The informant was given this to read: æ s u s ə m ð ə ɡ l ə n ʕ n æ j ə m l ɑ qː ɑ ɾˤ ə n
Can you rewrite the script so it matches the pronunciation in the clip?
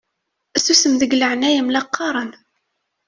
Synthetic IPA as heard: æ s u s ə m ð ə ɡ l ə ʕ n æ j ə m l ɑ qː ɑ ɾˤ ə n

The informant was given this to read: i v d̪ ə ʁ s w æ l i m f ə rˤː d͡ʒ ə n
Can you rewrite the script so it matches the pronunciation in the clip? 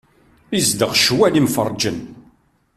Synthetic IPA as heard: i z d̪ ə ʁ ʃ w æ l i m f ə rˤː d͡ʒ ə n

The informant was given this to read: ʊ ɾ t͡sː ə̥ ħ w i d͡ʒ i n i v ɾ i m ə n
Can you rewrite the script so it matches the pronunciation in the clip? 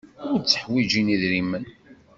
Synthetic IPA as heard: ʊ ɾ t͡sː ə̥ ħ w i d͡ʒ i n i ð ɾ i m ə n

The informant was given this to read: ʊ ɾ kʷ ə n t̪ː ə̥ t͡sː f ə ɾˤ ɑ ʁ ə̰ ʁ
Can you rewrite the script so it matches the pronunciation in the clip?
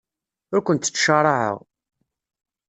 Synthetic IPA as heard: ʊ ɾ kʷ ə n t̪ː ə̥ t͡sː ʃ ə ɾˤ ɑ ʕ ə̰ ʁ

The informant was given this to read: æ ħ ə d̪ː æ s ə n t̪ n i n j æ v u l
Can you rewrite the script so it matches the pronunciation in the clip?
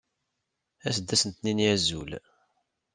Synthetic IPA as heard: æ s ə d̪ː æ s ə n t̪ n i n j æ z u l

